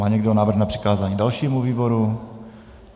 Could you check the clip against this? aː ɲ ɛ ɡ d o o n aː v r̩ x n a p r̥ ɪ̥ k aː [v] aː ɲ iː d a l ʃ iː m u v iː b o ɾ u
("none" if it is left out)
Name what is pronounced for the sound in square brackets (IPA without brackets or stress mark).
z